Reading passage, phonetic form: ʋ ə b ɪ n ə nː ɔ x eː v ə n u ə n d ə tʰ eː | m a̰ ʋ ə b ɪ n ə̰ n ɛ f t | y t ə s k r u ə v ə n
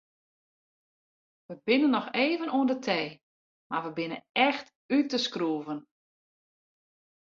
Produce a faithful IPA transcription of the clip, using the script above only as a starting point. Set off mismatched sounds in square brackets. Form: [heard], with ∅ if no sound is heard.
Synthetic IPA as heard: ʋ ə b ɪ n ə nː ɔ x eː v ə n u ə n d ə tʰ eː | m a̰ ʋ ə b ɪ n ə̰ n ɛ [x] t | y t ə s k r u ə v ə n

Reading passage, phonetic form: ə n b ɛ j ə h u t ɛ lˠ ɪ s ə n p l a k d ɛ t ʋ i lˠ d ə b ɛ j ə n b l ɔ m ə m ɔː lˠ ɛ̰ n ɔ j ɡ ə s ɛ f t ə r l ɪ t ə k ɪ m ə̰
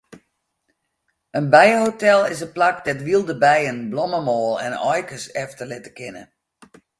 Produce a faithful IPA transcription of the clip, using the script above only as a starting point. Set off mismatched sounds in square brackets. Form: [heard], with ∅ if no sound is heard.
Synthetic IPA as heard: ə n b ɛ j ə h [o] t ɛ lˠ ɪ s ə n p l a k d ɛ t ʋ i lˠ d ə b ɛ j ə n b l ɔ m ə m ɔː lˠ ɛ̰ n ɔ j [k] ə s ɛ f t ə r l ɪ t ə k ɪ [n] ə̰

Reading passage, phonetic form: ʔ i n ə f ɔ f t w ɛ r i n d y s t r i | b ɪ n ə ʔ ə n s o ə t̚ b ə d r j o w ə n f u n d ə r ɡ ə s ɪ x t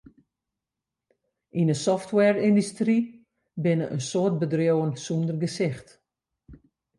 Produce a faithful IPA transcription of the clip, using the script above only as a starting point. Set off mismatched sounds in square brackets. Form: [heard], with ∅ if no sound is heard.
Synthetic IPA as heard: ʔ i n ə [s] ɔ f t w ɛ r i n d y s t r i | b ɪ n ə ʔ ə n s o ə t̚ b ə d r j o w ə n [s] u n d ə r ɡ ə s ɪ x t

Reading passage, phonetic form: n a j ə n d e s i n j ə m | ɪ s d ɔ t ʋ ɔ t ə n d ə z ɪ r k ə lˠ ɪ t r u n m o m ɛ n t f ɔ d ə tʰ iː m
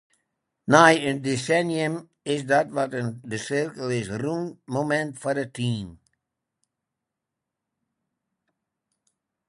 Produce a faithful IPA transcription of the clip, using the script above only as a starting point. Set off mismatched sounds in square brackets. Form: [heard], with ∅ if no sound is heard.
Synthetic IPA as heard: n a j ə n d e s [ɛ] n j ə m | ɪ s d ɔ t ʋ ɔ t ə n d ə [s] ɪ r k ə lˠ ɪ [s] r u n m o m ɛ n t f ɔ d ə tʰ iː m

